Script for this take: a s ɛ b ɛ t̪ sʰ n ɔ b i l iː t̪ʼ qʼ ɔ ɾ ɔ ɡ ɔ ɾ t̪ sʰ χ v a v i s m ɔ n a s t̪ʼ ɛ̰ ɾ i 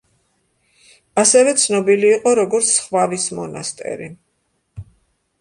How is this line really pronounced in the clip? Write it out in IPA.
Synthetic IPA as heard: a s ɛ v ɛ t̪ sʰ n ɔ b i l iː qʼ ɔ ɾ ɔ ɡ ɔ ɾ t̪ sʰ χ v a v i s m ɔ n a s t̪ʼ ɛ̰ ɾ i

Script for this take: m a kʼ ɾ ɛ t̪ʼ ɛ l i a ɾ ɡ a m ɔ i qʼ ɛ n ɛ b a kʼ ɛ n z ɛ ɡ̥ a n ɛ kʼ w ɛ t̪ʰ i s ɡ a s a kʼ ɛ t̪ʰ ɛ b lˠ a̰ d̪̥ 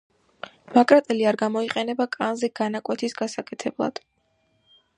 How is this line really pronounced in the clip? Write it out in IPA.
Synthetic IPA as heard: m a kʼ ɾ a t̪ʼ ɛ l i a ɾ ɡ a m ɔ i qʼ ɛ n ɛ b a kʼ a n z ɛ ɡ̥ a n a kʼ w ɛ t̪ʰ i s ɡ a s a kʼ ɛ t̪ʰ ɛ b lˠ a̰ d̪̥

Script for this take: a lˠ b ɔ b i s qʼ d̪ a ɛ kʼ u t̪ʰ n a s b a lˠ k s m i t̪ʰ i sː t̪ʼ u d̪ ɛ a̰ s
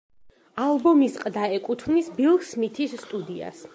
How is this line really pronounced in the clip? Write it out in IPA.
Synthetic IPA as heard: a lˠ b ɔ m i s qʼ d̪ a ɛ kʼ u t̪ʰ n i s b i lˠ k s m i t̪ʰ i sː t̪ʼ u d̪ i a̰ s

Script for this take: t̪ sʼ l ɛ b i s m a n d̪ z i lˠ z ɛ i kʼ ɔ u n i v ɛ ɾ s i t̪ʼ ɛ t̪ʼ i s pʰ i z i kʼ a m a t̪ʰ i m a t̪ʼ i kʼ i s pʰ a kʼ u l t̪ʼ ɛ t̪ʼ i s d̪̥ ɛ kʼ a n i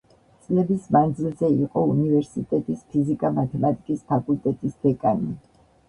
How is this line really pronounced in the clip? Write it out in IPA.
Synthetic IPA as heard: t̪ sʼ l ɛ b i s m a n d̪ z i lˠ z ɛ i qʼ ɔ u n i v ɛ ɾ s i t̪ʼ ɛ t̪ʼ i s pʰ i z i kʼ a m a t̪ʰ ɛ m a t̪ʼ i kʼ i s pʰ a kʼ u l t̪ʼ ɛ t̪ʼ i s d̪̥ ɛ kʼ a n i

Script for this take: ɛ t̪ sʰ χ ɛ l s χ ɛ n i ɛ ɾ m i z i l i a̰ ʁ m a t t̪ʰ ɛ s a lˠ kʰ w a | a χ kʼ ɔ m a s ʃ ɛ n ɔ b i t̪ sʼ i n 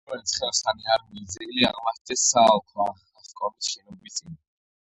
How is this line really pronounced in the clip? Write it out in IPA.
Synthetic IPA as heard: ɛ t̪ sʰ χ ɛ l s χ a n i a ɾ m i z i l i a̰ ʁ m a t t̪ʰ ɛ s a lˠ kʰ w a | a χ kʼ ɔ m i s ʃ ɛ n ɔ b i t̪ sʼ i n

